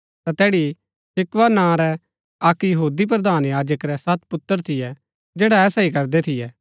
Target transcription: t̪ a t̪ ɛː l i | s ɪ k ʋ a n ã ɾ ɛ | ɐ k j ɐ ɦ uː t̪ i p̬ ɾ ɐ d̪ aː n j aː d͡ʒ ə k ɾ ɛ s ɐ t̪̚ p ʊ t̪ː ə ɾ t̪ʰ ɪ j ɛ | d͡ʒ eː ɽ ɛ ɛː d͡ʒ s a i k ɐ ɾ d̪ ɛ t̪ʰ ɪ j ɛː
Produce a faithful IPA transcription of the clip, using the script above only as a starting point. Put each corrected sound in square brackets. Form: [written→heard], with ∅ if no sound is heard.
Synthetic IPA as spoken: t̪ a t̪ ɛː [l→ɽ] i | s ɪ k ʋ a n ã ɾ ɛ | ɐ k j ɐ ɦ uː [t̪→d̪] i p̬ ɾ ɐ d̪ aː n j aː d͡ʒ ə k ɾ ɛ s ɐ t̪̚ p ʊ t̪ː ə ɾ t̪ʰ ɪ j ɛ | d͡ʒ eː ɽ [ɛ→a] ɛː [d͡ʒ→∅] s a i k ɐ ɾ d̪ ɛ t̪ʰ ɪ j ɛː